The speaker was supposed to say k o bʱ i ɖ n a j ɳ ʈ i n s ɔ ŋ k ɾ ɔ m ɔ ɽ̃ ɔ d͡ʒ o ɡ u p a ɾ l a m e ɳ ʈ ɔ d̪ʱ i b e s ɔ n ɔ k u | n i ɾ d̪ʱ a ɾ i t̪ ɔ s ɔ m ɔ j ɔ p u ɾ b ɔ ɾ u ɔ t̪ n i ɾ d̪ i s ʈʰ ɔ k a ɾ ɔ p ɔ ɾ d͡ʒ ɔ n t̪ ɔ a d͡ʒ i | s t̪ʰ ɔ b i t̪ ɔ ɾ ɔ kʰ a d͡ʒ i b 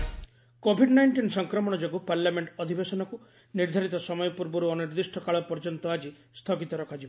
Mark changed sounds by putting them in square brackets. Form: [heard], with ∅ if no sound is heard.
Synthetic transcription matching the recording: k o bʱ i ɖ n a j ɳ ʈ i n s ɔ ŋ k ɾ ɔ m ɔ ɽ̃ ɔ d͡ʒ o ɡ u p a ɾ l a m e ɳ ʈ ɔ d̪ʱ i b e s ɔ n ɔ k u | n i ɾ d̪ʱ a ɾ i t̪ ɔ s ɔ m ɔ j ɔ p u ɾ b ɔ ɾ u ɔ [∅] n i ɾ d̪ i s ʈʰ ɔ k a [ɭ] ɔ p ɔ ɾ d͡ʒ ɔ n t̪ ɔ a d͡ʒ i | s t̪ʰ ɔ [ɡ] i t̪ ɔ ɾ ɔ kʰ a d͡ʒ i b